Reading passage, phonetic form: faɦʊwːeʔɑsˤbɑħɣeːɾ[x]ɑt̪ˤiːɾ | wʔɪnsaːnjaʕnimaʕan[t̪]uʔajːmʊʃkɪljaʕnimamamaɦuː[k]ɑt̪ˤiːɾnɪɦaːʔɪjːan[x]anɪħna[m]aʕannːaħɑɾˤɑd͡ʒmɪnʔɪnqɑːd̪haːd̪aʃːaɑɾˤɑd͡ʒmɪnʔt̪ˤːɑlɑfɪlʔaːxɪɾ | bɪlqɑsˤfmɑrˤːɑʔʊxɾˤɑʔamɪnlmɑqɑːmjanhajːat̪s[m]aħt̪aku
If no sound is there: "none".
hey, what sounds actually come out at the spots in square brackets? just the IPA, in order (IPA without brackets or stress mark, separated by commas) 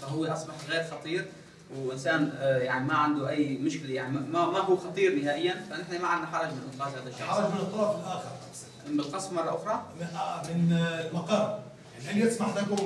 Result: x, d̪, x, f, m, m